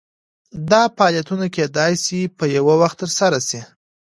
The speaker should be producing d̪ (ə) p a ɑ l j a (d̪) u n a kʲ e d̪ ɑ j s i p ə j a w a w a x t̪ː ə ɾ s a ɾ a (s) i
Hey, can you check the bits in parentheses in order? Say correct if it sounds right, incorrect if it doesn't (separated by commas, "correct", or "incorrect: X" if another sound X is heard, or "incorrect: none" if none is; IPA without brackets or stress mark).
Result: incorrect: ɑ, incorrect: t̪, correct